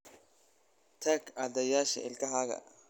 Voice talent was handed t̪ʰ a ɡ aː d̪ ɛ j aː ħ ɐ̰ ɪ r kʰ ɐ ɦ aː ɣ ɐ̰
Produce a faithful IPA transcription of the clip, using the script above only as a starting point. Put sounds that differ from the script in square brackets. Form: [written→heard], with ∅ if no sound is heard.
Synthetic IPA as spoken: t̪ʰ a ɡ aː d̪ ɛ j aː [ħ→ʃ] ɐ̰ ɪ [r→l] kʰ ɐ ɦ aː ɣ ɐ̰